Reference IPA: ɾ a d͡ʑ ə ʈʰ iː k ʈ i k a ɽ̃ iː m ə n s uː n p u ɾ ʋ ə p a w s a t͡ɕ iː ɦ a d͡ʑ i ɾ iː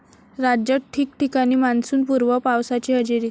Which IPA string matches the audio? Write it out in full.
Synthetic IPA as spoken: ɾ a d͡ʑ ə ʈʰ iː k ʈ i k a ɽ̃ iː m a n s uː n p u ɾ ʋ ə p a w s a t͡ɕ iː ɦ ə d͡ʑ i ɾ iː